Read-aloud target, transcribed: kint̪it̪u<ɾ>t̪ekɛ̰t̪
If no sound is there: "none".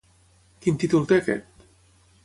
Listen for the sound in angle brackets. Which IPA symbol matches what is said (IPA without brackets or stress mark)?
l